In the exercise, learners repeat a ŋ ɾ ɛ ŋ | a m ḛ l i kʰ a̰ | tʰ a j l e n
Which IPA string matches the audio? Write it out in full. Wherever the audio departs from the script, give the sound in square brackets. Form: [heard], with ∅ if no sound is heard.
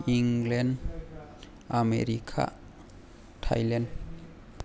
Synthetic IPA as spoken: [i] ŋ [l] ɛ [n] | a m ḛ [ɾ] i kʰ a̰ | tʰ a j l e n